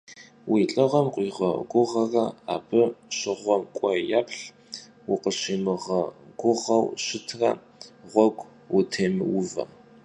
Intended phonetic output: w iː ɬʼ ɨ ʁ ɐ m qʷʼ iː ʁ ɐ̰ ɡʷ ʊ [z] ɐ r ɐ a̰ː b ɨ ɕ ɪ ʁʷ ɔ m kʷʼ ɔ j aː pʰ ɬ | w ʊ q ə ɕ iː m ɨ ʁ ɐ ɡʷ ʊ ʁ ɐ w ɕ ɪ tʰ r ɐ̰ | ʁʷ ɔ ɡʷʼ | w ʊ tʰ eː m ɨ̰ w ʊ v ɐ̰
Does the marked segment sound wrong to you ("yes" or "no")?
yes